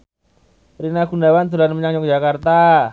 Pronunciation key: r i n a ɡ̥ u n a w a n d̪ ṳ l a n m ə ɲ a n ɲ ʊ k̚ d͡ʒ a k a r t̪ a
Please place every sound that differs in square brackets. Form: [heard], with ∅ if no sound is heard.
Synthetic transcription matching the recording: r i n a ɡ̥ u n a w a n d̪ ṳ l a n m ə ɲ a [ŋ] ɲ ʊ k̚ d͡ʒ a k a r t̪ a